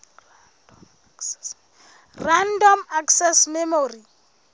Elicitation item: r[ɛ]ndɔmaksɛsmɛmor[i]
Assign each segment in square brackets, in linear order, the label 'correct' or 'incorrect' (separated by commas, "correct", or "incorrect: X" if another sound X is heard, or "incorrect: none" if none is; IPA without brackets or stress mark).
incorrect: a, correct